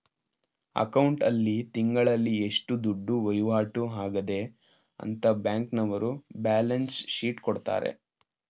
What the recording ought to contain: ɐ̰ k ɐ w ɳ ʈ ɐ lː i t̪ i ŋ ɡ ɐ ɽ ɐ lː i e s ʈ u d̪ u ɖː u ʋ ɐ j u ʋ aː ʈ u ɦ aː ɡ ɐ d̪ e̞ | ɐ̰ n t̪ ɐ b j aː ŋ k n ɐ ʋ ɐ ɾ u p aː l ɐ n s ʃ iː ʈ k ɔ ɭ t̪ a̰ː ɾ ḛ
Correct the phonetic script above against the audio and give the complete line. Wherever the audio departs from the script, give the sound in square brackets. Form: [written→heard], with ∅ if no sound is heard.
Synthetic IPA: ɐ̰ k ɐ w ɳ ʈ ɐ lː i t̪ i ŋ ɡ ɐ [ɽ→ɭ] ɐ lː i e [s→ʂ] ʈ u d̪ u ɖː u ʋ ɐ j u ʋ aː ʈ u ɦ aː ɡ ɐ d̪ e̞ | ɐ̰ n t̪ ɐ b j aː ŋ k n ɐ ʋ ɐ ɾ u [p→b] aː l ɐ n s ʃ iː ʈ k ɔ [ɭ→ɽ] t̪ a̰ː ɾ ḛ

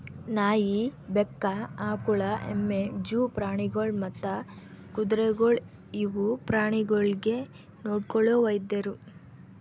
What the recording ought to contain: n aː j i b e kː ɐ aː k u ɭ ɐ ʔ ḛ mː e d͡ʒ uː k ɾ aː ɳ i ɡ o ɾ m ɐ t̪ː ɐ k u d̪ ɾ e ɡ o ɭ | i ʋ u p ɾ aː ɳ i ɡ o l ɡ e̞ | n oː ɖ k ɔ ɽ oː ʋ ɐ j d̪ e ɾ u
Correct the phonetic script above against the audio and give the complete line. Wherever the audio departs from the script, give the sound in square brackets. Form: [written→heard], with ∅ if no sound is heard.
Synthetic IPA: n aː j i b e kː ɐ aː k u ɭ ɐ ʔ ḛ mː e d͡ʒ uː [k→p] ɾ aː ɳ i ɡ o [ɾ→ɭ] m ɐ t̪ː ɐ k u d̪ ɾ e ɡ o ɭ | i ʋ u p ɾ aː ɳ i ɡ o [l→ɭ] ɡ e̞ | n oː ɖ k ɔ [ɽ→ɭ] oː ʋ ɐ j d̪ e ɾ u

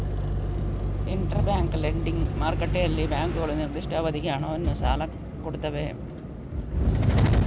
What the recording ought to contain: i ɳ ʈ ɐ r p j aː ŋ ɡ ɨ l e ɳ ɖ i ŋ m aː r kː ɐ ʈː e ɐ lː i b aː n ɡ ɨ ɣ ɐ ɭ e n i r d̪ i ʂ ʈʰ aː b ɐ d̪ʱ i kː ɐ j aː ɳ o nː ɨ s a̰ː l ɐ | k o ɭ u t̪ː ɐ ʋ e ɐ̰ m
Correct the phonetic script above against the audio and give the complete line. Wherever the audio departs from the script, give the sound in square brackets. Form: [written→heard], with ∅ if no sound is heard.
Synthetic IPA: i ɳ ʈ ɐ r [p→b] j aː ŋ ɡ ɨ l e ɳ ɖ i ŋ m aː r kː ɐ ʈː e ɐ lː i b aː [n→ŋ] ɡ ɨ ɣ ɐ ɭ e n i r d̪ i ʂ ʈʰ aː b ɐ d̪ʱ i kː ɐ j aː ɳ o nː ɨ s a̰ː l ɐ | k o [ɭ→ɽ] u t̪ː ɐ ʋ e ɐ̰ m

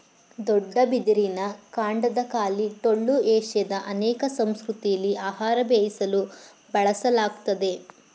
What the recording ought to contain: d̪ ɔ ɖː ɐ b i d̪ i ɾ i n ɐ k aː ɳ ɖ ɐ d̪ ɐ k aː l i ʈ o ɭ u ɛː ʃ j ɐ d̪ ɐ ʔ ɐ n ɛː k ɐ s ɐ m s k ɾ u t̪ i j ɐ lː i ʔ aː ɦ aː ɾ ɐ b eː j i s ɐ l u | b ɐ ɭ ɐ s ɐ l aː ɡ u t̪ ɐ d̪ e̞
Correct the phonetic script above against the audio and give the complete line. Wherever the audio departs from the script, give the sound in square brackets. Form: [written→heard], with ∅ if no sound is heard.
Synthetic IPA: d̪ ɔ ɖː ɐ b i d̪ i ɾ i n ɐ k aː ɳ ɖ ɐ d̪ ɐ k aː l i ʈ o [ɭ→ɭː] u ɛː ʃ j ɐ d̪ ɐ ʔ ɐ n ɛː k ɐ s ɐ m s k ɾ u t̪ i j ɐ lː i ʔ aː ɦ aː ɾ ɐ b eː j i s ɐ l u | b ɐ ɭ ɐ s ɐ l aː ɡ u t̪ ɐ d̪ e̞

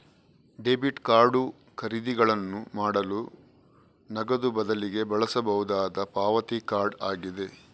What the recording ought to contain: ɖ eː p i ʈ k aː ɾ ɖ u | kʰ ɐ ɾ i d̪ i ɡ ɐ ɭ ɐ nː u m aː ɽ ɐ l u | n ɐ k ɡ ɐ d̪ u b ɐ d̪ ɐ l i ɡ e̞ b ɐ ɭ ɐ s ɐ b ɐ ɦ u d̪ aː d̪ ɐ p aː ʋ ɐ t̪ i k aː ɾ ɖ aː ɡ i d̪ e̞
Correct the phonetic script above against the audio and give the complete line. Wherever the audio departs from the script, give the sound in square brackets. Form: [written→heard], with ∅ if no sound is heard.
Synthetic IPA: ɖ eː [p→b] i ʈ k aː ɾ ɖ u | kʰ ɐ ɾ i d̪ i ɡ ɐ ɭ ɐ nː u m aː ɽ ɐ l u | n ɐ [k→∅] ɡ ɐ d̪ u b ɐ d̪ ɐ l i ɡ e̞ b ɐ ɭ ɐ s ɐ b ɐ ɦ u d̪ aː d̪ ɐ p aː ʋ ɐ t̪ i k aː ɾ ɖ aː ɡ i d̪ e̞

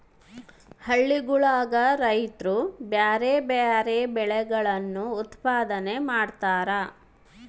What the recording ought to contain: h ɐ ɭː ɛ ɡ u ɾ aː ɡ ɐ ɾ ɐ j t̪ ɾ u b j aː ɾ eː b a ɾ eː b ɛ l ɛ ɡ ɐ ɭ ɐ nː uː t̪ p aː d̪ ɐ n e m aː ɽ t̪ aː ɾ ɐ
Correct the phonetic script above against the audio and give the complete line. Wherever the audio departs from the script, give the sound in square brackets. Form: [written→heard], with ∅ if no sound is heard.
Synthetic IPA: h ɐ ɭː [ɛ→i] ɡ u [ɾ→ɭ] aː ɡ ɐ ɾ ɐ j t̪ ɾ u b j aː ɾ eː b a ɾ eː b ɛ [l→ɭ] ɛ ɡ ɐ ɭ ɐ nː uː t̪ p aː d̪ ɐ n e m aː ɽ t̪ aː ɾ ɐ

